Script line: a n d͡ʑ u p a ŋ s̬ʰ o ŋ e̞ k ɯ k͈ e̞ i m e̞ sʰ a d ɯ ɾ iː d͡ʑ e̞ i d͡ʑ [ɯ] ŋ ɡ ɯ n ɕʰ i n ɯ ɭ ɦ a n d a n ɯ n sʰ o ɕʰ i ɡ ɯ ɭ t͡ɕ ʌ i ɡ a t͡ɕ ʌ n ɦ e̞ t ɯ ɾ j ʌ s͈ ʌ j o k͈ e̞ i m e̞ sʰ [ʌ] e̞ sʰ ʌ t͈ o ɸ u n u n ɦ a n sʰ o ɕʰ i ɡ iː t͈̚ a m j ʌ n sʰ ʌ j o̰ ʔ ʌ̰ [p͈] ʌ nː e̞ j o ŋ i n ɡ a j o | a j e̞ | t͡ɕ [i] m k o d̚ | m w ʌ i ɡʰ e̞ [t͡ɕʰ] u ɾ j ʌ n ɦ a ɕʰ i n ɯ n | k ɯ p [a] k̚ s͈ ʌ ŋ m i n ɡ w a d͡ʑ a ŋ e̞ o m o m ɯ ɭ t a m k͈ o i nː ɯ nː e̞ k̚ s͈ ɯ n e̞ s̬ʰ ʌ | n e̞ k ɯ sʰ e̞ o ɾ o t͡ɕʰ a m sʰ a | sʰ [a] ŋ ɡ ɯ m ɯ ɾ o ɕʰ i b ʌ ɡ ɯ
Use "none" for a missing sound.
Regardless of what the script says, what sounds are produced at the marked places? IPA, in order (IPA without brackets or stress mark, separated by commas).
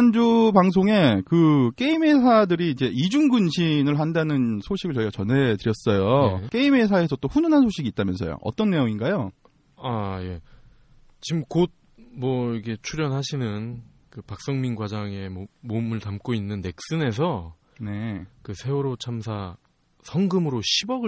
u, a, t͈, i, t͡ɕʰ, a, ʌ